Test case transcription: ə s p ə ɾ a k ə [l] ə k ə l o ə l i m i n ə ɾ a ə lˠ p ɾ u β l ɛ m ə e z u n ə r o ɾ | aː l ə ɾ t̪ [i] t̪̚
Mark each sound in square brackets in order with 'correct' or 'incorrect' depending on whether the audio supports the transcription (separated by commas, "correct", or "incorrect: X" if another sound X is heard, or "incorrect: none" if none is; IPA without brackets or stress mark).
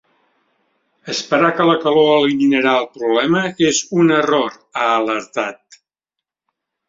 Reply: correct, incorrect: a